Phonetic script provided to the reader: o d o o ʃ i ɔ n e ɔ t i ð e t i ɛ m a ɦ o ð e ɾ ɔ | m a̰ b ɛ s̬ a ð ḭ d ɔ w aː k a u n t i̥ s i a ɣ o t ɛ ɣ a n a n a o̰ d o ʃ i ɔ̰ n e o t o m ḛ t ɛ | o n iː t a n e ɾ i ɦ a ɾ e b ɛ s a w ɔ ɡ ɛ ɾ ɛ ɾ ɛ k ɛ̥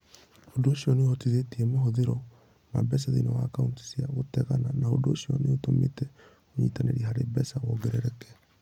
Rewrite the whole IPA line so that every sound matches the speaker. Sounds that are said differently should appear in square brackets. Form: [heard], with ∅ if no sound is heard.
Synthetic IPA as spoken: o d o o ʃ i ɔ n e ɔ t i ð e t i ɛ m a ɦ o ð e ɾ ɔ | m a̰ b ɛ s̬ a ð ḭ [n] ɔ w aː k a u n t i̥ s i a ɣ o t ɛ ɣ a n a n a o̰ d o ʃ i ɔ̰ n e o t o m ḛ t ɛ | o [ɲ] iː t a n e ɾ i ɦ a ɾ e b ɛ s a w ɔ ɡ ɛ ɾ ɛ ɾ ɛ k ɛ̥